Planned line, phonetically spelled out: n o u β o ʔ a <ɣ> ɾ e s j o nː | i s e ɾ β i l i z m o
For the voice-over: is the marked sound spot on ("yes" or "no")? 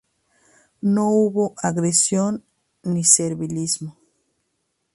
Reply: yes